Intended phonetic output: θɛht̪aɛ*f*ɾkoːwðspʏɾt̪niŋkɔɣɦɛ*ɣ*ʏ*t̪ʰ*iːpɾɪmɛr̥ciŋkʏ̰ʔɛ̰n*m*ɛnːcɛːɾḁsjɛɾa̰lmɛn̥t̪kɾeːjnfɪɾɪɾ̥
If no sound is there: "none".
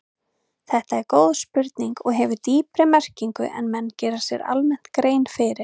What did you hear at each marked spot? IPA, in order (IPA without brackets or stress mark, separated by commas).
none, v, t̪, m